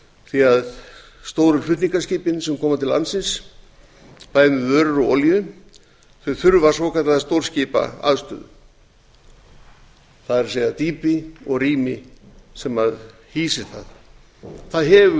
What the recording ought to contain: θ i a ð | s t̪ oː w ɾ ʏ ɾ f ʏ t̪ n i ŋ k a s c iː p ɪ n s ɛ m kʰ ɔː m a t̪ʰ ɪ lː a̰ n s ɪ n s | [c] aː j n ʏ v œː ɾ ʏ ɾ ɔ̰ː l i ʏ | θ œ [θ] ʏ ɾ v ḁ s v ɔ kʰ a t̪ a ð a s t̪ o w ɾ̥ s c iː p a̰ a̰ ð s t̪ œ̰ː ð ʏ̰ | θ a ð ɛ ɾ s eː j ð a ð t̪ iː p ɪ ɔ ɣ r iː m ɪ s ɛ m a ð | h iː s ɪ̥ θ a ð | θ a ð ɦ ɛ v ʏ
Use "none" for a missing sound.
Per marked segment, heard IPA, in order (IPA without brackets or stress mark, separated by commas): p, θ